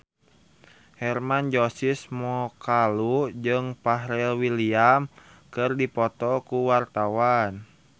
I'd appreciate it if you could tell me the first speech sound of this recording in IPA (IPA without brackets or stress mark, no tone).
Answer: h